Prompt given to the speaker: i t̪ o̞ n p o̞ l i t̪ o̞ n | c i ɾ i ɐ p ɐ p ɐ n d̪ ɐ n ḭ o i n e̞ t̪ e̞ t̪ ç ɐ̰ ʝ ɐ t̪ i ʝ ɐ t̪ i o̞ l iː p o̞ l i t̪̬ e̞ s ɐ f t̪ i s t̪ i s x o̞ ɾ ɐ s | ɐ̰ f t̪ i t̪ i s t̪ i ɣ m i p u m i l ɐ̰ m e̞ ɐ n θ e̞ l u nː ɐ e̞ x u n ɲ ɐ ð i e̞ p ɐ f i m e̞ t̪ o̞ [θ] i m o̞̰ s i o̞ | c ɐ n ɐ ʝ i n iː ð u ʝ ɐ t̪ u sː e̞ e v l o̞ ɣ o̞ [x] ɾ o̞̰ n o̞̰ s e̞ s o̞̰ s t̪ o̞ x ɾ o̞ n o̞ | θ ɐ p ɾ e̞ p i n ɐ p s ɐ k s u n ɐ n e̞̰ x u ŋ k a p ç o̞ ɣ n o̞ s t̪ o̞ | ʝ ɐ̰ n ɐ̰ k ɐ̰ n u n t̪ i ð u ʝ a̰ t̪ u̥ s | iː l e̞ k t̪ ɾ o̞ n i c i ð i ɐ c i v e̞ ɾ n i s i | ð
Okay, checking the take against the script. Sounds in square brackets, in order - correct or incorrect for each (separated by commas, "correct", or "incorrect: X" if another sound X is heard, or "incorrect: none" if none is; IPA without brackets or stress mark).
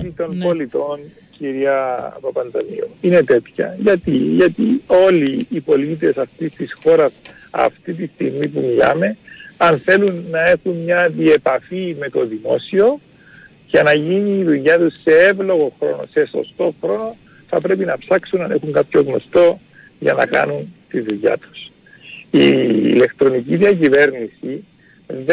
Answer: incorrect: ð, correct